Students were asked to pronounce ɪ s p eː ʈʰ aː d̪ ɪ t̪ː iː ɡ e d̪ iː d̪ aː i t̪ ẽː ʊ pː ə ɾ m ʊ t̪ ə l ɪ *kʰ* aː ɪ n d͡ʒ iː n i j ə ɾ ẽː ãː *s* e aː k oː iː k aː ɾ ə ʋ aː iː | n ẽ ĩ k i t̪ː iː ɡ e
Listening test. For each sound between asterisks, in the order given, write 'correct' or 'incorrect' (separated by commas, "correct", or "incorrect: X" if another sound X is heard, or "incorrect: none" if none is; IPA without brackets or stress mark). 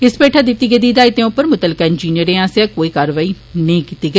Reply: incorrect: k, correct